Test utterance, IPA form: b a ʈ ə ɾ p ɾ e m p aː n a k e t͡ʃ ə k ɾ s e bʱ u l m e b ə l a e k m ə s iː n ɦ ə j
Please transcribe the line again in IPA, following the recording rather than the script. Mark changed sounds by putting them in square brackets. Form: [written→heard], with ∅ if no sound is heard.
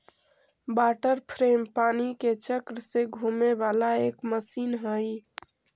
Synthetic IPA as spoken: b a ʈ ə ɾ [p→pʰ] ɾ e m p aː n [a→i] k e t͡ʃ ə k ɾ s e [bʱ→ɡʱ] u [l→∅] m e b [ə→a] l a e k m ə s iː n ɦ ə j